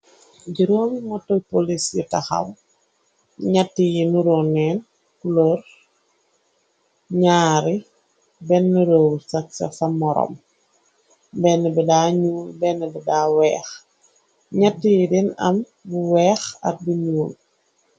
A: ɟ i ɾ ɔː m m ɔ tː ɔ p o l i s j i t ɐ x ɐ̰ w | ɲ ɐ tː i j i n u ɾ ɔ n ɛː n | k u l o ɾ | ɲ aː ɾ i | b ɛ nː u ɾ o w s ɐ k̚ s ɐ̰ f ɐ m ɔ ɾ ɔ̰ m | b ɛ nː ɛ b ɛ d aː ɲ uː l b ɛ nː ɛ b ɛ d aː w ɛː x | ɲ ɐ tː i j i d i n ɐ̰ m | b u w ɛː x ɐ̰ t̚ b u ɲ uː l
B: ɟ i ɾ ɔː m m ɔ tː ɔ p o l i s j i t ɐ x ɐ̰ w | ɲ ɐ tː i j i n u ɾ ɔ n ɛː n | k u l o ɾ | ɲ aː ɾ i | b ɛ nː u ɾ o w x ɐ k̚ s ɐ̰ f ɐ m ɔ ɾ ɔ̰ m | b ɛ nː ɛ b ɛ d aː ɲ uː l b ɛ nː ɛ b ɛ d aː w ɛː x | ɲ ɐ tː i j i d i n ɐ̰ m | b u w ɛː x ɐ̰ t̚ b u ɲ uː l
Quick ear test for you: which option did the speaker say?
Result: A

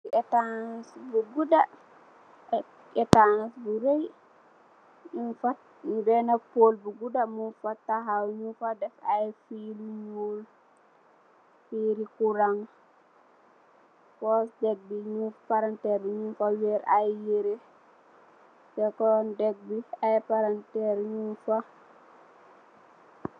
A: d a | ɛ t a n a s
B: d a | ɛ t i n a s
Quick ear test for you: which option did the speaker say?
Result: A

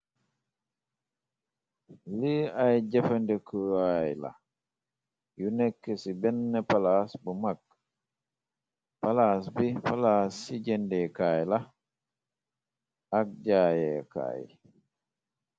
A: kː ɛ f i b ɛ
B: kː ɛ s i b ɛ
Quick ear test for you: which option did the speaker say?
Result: B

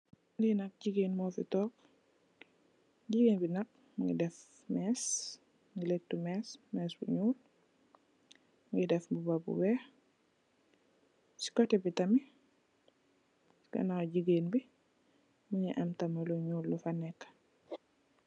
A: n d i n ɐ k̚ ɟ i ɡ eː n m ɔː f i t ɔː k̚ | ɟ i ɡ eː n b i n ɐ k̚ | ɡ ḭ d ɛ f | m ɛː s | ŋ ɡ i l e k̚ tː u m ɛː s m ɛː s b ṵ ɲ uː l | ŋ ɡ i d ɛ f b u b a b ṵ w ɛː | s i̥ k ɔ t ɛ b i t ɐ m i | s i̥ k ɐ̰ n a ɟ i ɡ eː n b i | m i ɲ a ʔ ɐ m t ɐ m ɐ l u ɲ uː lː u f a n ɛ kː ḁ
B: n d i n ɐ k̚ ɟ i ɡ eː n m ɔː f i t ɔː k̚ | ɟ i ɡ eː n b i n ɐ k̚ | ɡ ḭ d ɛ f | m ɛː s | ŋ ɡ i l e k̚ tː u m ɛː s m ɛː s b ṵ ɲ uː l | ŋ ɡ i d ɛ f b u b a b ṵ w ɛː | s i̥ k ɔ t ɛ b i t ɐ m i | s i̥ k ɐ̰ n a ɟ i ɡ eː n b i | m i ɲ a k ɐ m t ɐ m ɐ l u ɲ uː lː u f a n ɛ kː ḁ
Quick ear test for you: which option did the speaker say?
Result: A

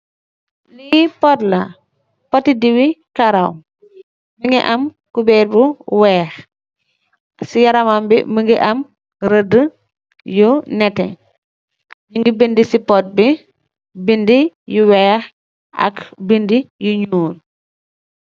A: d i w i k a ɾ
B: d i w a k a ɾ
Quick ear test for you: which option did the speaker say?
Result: A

